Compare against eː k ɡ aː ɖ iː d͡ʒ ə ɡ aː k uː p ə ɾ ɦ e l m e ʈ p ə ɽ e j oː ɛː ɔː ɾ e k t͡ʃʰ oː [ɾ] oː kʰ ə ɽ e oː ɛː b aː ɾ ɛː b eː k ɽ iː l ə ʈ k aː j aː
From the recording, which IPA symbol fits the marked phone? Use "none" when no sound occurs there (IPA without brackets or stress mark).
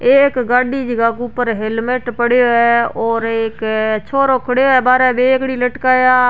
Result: ɾ